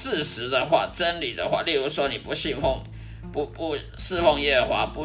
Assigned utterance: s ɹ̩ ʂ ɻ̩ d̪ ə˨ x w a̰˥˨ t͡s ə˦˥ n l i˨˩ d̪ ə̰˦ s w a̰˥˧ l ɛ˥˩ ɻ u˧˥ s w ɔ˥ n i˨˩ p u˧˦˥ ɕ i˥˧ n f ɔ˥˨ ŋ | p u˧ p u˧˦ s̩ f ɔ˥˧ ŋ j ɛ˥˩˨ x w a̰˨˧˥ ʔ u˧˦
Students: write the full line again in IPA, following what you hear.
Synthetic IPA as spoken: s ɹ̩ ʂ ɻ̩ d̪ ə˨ x w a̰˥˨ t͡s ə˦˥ n l i˨˩ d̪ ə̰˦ x w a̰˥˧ l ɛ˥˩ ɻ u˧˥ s w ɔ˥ n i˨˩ p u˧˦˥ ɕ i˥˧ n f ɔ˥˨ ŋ | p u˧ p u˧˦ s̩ f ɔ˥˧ ŋ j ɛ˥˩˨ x w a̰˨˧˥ p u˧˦